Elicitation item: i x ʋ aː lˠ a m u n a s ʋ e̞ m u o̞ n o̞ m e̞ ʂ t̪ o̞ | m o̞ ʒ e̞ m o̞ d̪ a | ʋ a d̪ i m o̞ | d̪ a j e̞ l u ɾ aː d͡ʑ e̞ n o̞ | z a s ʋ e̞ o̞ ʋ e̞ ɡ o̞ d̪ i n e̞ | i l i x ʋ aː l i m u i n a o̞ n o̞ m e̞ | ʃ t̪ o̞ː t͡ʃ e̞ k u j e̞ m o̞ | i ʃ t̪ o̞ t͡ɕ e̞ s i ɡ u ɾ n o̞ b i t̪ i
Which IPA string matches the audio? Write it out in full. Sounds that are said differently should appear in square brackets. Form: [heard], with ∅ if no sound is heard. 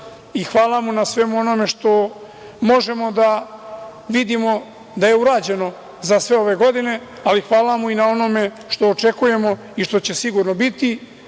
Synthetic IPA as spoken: i x ʋ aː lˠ a m u n a s ʋ e̞ m u o̞ n o̞ m e̞ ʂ t̪ o̞ | m o̞ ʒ e̞ m o̞ d̪ a | ʋ [i] d̪ i m o̞ | d̪ a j e̞ [∅] u ɾ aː d͡ʑ e̞ n o̞ | z a s ʋ e̞ o̞ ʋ e̞ ɡ o̞ d̪ i n e̞ | [a] l i x ʋ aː l [a] m u i n a o̞ n o̞ m e̞ | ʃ t̪ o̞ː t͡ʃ e̞ k u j e̞ m o̞ | i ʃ t̪ o̞ t͡ɕ e̞ s i ɡ u ɾ n o̞ b i t̪ i

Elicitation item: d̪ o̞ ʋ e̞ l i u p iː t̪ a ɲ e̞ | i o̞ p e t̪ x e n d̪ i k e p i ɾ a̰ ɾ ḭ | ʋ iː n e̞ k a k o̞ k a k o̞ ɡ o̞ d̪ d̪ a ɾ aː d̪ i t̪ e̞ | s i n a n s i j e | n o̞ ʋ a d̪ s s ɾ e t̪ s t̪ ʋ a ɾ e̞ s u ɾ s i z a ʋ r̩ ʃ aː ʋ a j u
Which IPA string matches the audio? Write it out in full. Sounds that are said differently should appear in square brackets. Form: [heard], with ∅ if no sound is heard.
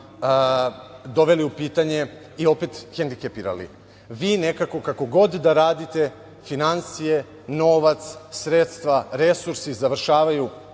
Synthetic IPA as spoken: d̪ o̞ ʋ e̞ l i u p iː t̪ a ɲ e̞ | i o̞ p e t̪ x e n d̪ i k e p i ɾ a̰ [l] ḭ | ʋ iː n e̞ k a k o̞ k a k o̞ ɡ o̞ d̪ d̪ a ɾ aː d̪ i t̪ e̞ | [f] i n a n s i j e | n o̞ ʋ a [t̪] s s ɾ e t̪ s t̪ ʋ a ɾ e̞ s u ɾ s i z a ʋ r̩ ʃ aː ʋ a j u

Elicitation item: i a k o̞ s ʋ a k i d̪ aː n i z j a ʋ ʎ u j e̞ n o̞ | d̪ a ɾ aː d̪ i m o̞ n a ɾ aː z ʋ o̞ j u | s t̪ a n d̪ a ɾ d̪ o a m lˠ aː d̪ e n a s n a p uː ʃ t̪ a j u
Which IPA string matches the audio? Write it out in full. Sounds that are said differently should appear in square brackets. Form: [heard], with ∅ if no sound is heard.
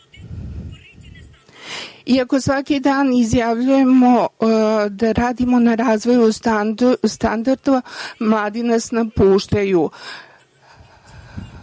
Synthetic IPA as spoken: i a k o̞ s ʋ a k i d̪ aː n i z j a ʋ ʎ u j e̞ [m] o̞ | d̪ a ɾ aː d̪ i m o̞ n a ɾ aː z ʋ o̞ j u | s t̪ a n d̪ a ɾ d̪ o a m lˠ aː d̪ [i] n a s n a p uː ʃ t̪ a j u

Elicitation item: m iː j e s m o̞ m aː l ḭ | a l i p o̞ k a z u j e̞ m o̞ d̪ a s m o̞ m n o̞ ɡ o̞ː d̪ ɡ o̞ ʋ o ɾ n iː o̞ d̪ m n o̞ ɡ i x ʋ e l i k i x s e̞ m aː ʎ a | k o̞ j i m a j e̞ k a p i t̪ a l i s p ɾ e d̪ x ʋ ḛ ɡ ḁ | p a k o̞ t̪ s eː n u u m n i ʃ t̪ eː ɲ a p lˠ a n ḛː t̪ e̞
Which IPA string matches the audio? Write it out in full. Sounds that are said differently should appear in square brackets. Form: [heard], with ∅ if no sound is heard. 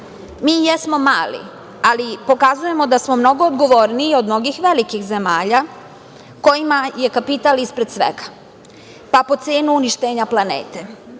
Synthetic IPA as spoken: m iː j e s m o̞ m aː l ḭ | a l i p o̞ k a z u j e̞ m o̞ d̪ a s m o̞ m n o̞ ɡ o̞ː d̪ ɡ o̞ ʋ o ɾ n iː o̞ d̪ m n o̞ ɡ i x ʋ e l i k i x [z] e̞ m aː ʎ a | k o̞ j i m a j e̞ k a p i t̪ a l i s p ɾ e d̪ [s] ʋ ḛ ɡ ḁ | p a [p] o̞ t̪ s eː n u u [∅] n i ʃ t̪ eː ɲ a p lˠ a n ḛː t̪ e̞

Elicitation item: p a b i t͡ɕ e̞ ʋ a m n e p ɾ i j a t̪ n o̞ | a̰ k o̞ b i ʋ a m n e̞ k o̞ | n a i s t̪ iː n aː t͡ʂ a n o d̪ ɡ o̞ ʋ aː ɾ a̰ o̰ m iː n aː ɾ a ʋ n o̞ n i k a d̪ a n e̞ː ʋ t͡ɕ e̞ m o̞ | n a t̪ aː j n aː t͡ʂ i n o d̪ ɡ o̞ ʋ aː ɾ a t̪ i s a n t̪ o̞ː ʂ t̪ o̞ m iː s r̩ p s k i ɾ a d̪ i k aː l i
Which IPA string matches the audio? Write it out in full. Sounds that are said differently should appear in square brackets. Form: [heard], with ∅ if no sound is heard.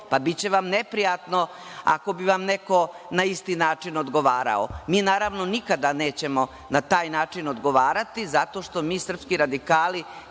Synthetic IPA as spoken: p a b i t͡ɕ e̞ ʋ a m n e p ɾ i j a t̪ n o̞ | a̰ k o̞ b i ʋ a m n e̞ k o̞ | n a i s t̪ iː n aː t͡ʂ [i] n o d̪ ɡ o̞ ʋ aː ɾ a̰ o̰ m iː n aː ɾ a ʋ n o̞ n i k a d̪ a n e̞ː [∅] t͡ɕ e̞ m o̞ | n a t̪ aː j n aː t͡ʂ i n o d̪ ɡ o̞ ʋ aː ɾ a t̪ i [z] a [∅] t̪ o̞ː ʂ t̪ o̞ m iː s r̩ p s k i ɾ a d̪ i k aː l i

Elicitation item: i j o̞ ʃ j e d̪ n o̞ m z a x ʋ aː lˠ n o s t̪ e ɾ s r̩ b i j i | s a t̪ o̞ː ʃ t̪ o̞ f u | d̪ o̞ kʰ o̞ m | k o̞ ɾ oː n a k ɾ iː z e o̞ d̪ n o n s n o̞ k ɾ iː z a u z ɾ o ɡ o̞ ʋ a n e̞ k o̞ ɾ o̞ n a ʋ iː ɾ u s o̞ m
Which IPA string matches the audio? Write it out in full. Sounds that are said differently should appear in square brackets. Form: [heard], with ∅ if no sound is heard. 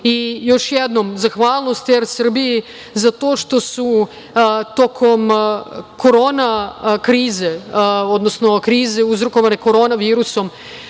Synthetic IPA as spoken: i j o̞ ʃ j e d̪ n o̞ m z a x ʋ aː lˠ n o s t̪ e ɾ s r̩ b i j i | [z] a t̪ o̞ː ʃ t̪ o̞ [s] u | [t̪] o̞ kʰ o̞ m | k o̞ ɾ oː n a k ɾ iː z e o̞ d̪ n o [∅] s n o̞ k ɾ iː z [e] u z ɾ o [k] o̞ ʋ a n e̞ k o̞ ɾ o̞ n a ʋ iː ɾ u s o̞ m

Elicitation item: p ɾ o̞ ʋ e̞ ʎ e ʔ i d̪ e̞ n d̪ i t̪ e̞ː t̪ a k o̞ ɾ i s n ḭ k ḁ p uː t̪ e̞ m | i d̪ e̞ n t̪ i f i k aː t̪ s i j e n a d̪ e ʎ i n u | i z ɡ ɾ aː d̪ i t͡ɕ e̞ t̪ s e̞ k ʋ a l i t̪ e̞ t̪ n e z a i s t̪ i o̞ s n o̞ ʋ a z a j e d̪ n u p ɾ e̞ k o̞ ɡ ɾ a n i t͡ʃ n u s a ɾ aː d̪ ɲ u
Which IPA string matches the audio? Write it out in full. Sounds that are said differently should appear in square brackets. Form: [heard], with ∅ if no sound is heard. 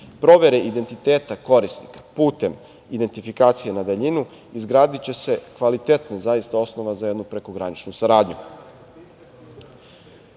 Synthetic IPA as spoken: p ɾ o̞ ʋ e̞ [ɾ] e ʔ i d̪ e̞ n [t̪] i t̪ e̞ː t̪ a k o̞ ɾ i s n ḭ k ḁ p uː t̪ e̞ m | i d̪ e̞ n t̪ i f i k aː t̪ s i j e n a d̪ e ʎ i n u | i z ɡ ɾ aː d̪ i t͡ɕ e̞ [∅] s e̞ k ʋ a l i t̪ e̞ t̪ n e z a i s t̪ [a] o̞ s n o̞ ʋ a z a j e d̪ n u p ɾ e̞ k o̞ ɡ ɾ a n i t͡ʃ n u s a ɾ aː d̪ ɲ u

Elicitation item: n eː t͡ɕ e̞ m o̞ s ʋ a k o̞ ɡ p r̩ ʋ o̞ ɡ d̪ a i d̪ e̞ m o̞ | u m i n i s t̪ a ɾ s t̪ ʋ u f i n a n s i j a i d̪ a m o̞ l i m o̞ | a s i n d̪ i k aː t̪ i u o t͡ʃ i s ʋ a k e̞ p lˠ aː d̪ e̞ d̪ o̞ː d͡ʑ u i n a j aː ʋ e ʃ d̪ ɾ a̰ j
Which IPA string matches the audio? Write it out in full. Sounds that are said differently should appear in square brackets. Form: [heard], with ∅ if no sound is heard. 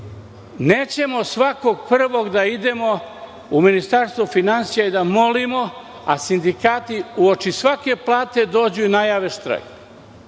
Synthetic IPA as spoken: n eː t͡ɕ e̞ m o̞ s ʋ a k o̞ ɡ p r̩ ʋ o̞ ɡ d̪ a i d̪ e̞ m o̞ | u m i n i s t̪ a ɾ s t̪ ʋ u f i n a n s i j a i d̪ a m o̞ l i m o̞ | a s i n d̪ i k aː t̪ i u o t͡ʃ i s ʋ a k e̞ p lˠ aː [t̪] e̞ d̪ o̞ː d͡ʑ u i n a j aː ʋ e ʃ [t̪] ɾ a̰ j

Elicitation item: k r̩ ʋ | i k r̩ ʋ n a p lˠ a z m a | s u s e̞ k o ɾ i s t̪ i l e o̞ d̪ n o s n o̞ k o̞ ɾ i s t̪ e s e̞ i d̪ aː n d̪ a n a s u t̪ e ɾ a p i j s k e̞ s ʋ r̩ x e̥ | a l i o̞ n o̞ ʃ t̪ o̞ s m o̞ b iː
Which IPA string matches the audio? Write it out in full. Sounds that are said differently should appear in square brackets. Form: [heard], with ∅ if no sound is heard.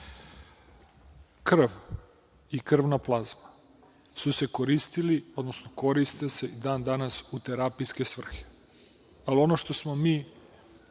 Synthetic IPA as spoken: k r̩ ʋ | i k r̩ ʋ n a p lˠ a z m a | s u s e̞ k o ɾ i s t̪ i l [i] o̞ d̪ n o s n o̞ k o̞ ɾ i s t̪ e s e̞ i d̪ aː n d̪ a n a s u t̪ e ɾ a p i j s k e̞ s ʋ r̩ x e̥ | a l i o̞ n o̞ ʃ t̪ o̞ s m o̞ [m] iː

